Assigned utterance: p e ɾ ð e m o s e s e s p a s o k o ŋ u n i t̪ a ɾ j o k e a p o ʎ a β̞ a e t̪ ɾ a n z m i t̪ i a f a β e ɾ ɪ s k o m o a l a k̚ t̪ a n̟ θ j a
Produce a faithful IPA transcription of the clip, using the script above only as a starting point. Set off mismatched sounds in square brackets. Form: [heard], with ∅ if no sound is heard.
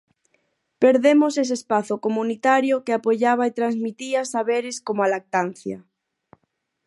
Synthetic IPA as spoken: p e ɾ ð e m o s e s e s p a [θ] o k o [m] u n i t̪ a ɾ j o k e a p o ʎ a β̞ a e t̪ ɾ a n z m i t̪ i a [s] a β e ɾ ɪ s k o m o a l a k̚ t̪ a n̟ θ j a